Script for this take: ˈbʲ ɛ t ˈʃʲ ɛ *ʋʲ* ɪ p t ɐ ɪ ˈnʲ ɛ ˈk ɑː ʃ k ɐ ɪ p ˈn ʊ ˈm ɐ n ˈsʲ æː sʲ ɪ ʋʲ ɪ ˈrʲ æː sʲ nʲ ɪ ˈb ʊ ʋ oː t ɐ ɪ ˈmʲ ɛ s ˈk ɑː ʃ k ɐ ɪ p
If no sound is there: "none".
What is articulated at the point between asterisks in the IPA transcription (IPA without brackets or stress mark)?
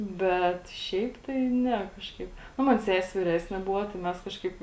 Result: none